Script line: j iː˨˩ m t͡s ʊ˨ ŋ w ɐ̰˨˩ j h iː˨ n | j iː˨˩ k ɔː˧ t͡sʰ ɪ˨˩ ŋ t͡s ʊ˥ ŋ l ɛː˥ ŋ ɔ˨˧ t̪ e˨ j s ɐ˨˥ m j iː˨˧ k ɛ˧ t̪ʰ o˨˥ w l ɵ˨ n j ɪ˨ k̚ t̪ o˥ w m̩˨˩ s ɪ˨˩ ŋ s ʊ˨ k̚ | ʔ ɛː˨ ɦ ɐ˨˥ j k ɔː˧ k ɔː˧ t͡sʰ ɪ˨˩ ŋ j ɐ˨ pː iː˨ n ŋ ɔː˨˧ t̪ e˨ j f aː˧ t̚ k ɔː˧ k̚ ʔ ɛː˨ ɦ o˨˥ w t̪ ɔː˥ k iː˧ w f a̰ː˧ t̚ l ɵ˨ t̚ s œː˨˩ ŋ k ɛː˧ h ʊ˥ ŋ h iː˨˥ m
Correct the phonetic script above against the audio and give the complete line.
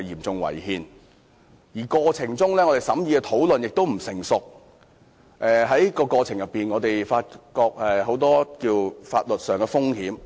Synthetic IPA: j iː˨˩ m t͡s ʊ˨ ŋ w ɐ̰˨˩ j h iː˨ n | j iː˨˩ k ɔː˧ t͡sʰ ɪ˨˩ ŋ t͡s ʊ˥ ŋ l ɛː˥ ŋ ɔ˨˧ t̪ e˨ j s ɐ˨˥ m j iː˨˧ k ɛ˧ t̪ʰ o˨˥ w l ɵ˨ n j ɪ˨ k̚ t̪ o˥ w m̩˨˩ s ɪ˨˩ ŋ s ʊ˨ k̚ | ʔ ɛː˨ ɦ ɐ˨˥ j k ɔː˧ k ɔː˧ t͡sʰ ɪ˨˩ ŋ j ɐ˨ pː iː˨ n ŋ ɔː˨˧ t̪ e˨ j f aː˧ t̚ k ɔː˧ k̚ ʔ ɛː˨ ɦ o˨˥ w t̪ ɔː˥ k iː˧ w f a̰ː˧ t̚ l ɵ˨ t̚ s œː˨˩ ŋ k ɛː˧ f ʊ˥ ŋ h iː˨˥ m